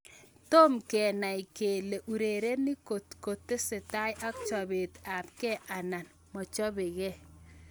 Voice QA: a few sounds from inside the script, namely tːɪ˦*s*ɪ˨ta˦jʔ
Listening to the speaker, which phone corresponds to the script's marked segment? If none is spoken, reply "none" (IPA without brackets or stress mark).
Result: s